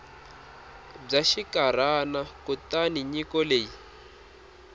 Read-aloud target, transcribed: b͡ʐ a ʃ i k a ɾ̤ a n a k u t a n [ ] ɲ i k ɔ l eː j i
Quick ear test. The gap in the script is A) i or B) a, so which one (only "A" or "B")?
A